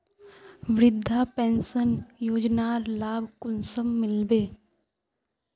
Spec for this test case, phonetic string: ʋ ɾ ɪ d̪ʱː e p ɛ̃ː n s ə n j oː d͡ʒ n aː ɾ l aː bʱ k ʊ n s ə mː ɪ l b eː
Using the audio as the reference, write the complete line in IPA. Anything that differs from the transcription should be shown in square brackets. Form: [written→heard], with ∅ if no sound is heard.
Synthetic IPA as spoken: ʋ ɾ ɪ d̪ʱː [e→a] p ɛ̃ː n s ə n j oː d͡ʒ n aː ɾ l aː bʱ k ʊ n s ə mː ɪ l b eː